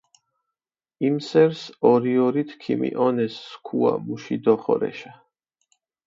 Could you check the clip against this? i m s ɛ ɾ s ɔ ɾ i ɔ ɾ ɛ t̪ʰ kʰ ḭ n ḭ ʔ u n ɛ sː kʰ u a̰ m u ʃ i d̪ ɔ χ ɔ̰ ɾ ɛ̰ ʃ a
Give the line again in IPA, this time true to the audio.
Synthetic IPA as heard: i m s ɛ ɾ s ɔ ɾ i ɔ ɾ i t̪ʰ kʰ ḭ m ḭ ʔ ɔ n ɛ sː kʰ u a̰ m u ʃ i d̪ ɔ χ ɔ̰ ɾ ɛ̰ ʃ a